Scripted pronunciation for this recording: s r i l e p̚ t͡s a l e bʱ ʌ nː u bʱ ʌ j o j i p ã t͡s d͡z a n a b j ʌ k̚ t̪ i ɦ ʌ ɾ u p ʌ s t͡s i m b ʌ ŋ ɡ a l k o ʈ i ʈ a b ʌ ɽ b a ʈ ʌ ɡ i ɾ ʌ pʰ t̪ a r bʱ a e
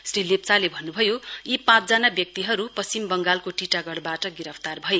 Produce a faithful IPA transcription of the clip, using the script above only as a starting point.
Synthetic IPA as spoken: s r i l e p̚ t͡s a l e bʱ ʌ nː u bʱ ʌ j o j i p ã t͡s d͡z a n a b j ʌ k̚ t̪ i ɦ ʌ ɾ u p ʌ s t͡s i m b ʌ ŋ ɡ a l k o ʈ i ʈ a ɡ ʌ ɽ b a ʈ ʌ ɡ i ɾ ʌ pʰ t̪ a r bʱ ʌ e